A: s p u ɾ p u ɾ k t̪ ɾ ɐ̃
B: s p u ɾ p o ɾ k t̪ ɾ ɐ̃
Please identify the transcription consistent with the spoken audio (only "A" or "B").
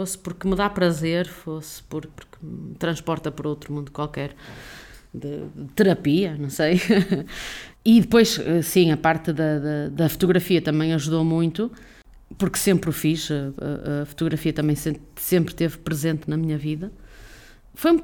A